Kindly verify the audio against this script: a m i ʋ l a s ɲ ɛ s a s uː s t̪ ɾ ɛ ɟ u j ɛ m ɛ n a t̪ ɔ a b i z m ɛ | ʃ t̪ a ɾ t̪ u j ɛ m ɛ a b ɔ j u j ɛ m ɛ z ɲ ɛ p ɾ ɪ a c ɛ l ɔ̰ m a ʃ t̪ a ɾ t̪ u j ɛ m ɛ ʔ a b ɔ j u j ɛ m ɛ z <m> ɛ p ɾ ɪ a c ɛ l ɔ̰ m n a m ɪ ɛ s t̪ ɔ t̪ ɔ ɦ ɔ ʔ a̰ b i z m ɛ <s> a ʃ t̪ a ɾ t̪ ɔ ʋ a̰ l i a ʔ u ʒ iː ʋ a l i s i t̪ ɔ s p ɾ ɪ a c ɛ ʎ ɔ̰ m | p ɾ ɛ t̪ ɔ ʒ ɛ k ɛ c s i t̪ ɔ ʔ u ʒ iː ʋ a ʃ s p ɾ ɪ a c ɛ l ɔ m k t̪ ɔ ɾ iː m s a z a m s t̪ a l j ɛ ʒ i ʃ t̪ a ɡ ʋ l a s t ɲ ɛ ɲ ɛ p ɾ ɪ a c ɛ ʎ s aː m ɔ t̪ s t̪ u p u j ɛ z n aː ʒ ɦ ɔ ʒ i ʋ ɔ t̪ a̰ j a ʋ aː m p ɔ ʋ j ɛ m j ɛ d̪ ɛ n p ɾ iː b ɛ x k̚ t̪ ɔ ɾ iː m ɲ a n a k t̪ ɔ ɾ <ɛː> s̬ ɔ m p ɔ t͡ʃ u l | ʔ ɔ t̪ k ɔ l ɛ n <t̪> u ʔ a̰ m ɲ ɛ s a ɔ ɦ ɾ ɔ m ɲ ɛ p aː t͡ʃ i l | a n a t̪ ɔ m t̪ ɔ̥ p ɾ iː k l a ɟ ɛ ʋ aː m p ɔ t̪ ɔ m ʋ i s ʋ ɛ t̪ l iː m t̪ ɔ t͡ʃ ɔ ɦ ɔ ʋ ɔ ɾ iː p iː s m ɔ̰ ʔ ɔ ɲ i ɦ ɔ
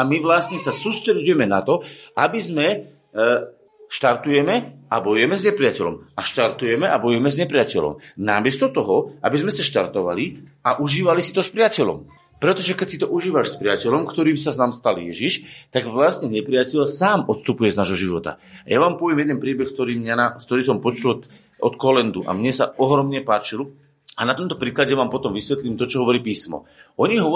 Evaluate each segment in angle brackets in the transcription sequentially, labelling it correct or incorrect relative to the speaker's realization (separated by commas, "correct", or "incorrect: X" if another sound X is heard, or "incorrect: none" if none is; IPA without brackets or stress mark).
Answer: incorrect: ɲ, correct, incorrect: iː, incorrect: d̪